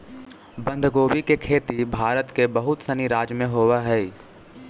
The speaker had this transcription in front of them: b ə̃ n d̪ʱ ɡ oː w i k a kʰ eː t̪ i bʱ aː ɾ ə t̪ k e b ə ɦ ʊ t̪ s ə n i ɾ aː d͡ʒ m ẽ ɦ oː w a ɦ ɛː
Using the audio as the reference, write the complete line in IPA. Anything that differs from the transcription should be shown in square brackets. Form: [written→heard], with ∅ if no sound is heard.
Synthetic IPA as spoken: b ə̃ n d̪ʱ ɡ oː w i k [a→e] kʰ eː t̪ i bʱ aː ɾ ə t̪ k e b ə ɦ ʊ t̪ s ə n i ɾ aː d͡ʒ m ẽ ɦ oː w a ɦ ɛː